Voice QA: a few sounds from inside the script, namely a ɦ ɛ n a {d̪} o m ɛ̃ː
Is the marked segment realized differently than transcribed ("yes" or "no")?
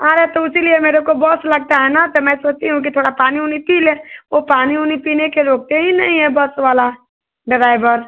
yes